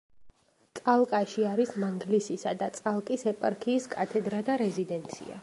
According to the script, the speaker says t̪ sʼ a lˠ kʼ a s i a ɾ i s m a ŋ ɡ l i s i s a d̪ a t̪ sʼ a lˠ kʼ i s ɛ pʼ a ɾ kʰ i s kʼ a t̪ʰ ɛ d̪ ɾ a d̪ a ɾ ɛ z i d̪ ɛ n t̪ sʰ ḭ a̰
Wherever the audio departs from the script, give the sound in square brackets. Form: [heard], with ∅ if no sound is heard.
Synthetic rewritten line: t̪ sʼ a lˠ kʼ a [ʃ] i a ɾ i s m a ŋ ɡ l i s i s a d̪ a t̪ sʼ a lˠ kʼ i s ɛ pʼ a ɾ kʰ [iː] s kʼ a t̪ʰ ɛ d̪ ɾ a d̪ a ɾ ɛ z i d̪ ɛ n t̪ sʰ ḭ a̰